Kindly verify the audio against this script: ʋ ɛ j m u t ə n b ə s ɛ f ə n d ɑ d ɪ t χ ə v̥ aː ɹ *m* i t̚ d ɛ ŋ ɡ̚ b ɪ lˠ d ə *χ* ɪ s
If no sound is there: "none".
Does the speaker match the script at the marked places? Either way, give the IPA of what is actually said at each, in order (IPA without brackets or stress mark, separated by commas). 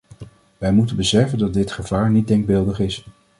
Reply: n, χ